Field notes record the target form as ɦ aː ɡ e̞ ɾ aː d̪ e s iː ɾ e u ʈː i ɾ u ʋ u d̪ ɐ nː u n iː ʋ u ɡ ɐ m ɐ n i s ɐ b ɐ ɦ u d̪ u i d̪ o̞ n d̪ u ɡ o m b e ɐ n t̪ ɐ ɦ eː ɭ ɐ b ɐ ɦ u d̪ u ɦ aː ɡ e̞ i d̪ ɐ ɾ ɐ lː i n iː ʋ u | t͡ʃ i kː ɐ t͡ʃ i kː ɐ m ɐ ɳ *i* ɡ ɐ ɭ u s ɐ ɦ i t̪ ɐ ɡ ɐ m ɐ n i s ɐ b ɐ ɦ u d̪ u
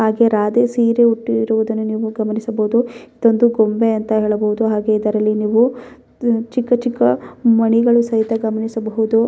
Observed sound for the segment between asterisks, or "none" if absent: i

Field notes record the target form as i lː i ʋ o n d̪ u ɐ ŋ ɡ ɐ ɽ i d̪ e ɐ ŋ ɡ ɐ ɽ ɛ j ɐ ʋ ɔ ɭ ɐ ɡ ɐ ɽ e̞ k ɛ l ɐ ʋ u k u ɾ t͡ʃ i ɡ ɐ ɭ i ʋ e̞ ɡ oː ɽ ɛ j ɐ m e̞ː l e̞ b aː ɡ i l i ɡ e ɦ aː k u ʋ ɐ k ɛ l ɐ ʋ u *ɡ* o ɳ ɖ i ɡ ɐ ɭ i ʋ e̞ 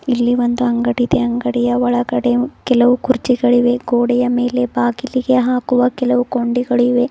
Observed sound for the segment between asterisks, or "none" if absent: k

